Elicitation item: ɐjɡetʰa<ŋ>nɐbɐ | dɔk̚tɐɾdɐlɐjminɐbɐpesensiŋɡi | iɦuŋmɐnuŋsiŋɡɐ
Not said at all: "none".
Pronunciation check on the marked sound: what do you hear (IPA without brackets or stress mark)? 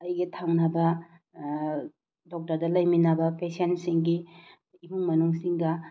ŋ